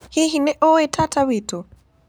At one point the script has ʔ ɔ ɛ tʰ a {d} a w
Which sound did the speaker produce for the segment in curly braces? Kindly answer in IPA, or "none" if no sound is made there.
t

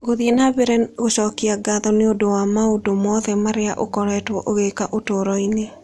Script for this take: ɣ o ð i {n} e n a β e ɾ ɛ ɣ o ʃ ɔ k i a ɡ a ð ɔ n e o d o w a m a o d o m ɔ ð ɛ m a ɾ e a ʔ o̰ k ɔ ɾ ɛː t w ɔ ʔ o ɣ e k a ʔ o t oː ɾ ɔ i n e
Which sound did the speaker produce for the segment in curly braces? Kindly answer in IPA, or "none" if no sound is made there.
none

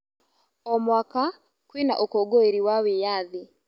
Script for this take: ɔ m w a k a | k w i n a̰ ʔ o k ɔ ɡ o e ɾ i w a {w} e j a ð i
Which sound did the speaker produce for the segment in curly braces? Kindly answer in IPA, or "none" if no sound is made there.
w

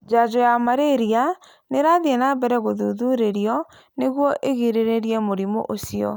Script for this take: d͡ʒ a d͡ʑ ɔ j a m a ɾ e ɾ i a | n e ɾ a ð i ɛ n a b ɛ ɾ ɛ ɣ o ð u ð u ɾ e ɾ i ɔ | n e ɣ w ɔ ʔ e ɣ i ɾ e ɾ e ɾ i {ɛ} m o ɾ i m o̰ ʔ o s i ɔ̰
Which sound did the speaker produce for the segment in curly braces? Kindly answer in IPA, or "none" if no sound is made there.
ɛ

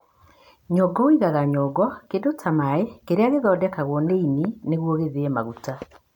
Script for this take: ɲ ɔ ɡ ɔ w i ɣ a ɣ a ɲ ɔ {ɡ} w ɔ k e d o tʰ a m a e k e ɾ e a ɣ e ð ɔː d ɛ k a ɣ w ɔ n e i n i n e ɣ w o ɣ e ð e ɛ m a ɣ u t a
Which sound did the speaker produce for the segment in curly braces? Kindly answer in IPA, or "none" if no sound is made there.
ɡ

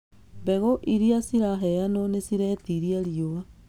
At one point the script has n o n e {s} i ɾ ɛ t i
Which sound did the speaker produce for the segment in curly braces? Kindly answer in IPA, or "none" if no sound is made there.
s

